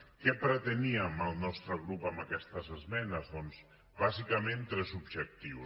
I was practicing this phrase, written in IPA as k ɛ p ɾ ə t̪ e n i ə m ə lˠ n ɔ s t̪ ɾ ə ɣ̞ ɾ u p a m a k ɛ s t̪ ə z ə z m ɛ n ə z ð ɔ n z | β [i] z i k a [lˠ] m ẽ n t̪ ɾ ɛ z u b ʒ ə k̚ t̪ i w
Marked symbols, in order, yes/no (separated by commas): no, no